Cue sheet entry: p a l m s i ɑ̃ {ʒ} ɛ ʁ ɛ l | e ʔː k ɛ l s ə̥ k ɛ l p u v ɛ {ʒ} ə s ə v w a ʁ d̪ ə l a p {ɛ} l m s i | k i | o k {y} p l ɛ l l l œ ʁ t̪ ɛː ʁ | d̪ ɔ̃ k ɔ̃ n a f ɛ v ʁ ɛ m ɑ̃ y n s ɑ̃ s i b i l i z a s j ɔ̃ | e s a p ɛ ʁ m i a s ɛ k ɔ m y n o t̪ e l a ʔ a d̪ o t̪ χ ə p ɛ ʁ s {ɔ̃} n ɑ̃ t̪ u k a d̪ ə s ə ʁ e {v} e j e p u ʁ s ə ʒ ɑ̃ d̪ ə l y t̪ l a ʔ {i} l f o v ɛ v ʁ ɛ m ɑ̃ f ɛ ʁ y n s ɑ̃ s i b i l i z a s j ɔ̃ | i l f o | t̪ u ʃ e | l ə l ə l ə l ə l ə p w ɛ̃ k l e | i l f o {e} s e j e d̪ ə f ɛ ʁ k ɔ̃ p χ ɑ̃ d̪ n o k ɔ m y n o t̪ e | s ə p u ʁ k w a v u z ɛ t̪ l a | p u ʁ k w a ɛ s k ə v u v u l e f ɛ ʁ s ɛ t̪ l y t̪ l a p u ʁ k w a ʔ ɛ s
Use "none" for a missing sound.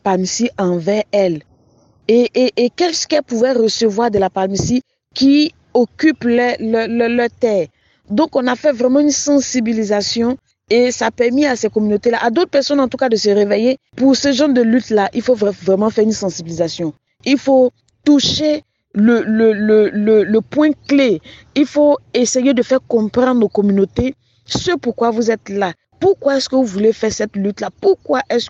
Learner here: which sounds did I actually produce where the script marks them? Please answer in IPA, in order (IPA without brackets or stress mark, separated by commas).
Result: v, ʁ, a, y, ɔ, v, i, e